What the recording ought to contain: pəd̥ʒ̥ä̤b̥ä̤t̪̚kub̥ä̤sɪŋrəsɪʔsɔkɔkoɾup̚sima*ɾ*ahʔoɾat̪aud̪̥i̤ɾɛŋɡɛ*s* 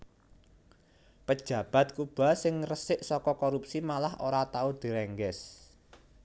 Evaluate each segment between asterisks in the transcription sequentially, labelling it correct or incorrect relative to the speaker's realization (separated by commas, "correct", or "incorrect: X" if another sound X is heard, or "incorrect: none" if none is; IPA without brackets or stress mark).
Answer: incorrect: l, correct